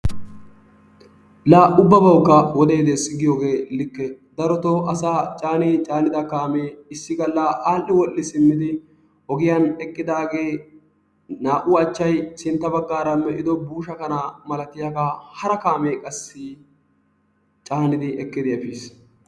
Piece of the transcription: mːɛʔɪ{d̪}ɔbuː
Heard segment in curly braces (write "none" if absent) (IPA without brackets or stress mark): d̪